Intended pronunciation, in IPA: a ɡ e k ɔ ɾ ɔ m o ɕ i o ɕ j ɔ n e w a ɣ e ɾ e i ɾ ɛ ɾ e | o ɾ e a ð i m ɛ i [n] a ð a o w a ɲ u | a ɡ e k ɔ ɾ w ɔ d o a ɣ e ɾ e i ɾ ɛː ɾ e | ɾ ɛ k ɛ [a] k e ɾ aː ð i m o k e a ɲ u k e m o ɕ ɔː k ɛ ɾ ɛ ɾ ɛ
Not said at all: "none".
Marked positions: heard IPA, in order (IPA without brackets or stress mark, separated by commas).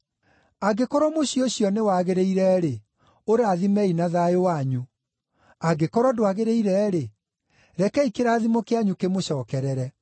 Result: n, i